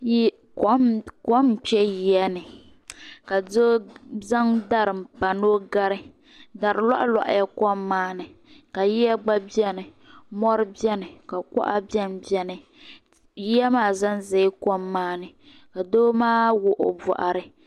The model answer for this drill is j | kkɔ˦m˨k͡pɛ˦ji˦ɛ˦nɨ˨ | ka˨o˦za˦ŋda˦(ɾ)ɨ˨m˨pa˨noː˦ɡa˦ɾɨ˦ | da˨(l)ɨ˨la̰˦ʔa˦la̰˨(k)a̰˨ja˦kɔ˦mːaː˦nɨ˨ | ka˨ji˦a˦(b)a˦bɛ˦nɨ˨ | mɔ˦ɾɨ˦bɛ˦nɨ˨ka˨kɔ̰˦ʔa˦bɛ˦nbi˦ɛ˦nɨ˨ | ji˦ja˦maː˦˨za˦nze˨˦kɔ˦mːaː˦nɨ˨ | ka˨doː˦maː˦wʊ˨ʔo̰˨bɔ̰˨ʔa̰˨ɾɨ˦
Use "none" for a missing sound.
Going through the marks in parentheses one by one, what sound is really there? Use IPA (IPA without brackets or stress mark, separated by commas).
ɾ, ɾ, ʔ, ɡ͡b